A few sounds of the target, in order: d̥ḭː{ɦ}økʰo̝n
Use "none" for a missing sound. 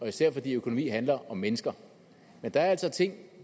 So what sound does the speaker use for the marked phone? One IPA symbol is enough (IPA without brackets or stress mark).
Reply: none